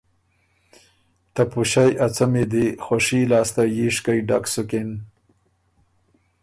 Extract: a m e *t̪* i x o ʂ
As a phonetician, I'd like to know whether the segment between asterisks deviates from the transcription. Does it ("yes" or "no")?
yes